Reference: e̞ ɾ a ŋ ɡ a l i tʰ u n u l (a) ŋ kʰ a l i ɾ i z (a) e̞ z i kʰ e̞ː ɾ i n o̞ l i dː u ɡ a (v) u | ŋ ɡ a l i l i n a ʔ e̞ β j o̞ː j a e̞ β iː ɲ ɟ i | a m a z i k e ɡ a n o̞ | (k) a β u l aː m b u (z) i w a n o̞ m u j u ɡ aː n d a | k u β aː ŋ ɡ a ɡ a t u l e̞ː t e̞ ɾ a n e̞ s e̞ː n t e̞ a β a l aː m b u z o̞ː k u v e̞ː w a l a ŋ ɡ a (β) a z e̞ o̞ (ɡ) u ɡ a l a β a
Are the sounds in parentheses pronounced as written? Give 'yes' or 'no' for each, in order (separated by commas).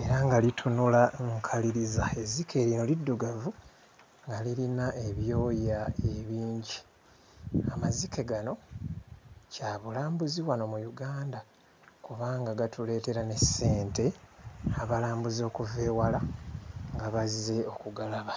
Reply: yes, yes, yes, no, yes, yes, no